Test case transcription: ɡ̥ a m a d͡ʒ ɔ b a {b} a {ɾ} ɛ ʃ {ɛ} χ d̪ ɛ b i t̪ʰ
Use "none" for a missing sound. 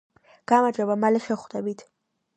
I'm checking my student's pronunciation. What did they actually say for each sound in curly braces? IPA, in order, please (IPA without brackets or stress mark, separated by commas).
m, l, ɛ